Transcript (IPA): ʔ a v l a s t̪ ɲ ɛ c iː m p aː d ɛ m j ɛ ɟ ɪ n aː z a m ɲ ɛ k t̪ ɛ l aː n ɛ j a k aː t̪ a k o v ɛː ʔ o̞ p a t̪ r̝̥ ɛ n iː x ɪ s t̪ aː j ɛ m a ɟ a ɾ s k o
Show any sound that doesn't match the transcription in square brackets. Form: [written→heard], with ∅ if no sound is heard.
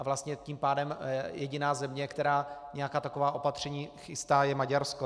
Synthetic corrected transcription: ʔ a v l a s t̪ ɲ ɛ c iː m p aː d ɛ m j ɛ ɟ ɪ n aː z [a→ɛ] m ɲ ɛ k t̪ ɛ [l→ɾ] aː [n→ɲ] ɛ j a k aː t̪ a k o v [ɛː→aː] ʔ o̞ p a t̪ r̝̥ ɛ [n→ɲ] iː x ɪ s t̪ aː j ɛ m a ɟ a ɾ s k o